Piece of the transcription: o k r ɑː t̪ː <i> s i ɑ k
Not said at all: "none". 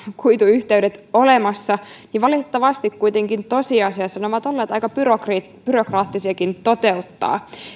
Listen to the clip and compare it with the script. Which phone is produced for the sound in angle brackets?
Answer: i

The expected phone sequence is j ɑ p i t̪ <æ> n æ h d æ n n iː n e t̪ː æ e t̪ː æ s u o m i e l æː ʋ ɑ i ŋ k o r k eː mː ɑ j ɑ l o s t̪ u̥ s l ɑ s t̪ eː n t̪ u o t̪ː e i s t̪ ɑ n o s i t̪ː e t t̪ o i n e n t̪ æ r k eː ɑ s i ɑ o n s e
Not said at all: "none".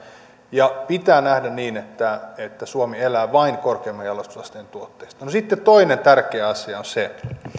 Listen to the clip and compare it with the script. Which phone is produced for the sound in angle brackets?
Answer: æː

